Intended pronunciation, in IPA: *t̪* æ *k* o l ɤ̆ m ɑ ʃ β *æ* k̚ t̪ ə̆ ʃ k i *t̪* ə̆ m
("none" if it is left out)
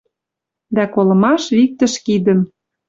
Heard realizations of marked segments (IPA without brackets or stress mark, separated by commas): d̪, k, i, d̪